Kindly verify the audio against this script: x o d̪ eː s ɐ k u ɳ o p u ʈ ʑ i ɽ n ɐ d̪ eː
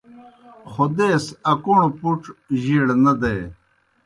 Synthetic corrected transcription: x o d̪ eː s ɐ k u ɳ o p u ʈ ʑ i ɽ n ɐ d̪ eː